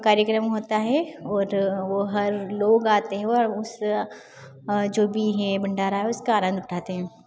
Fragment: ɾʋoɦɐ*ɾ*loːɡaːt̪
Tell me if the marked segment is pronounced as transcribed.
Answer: yes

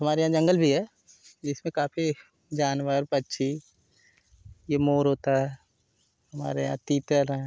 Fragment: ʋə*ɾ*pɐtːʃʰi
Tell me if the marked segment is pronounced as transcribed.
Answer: yes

